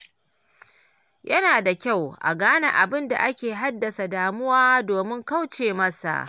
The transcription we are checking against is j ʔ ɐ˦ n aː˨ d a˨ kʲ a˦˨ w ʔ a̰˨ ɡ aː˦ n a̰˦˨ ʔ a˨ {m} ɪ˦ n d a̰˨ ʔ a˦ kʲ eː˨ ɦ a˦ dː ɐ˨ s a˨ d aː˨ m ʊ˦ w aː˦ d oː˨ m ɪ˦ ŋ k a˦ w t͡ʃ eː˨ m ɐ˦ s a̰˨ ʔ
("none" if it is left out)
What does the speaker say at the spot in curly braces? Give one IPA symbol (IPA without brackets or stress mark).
b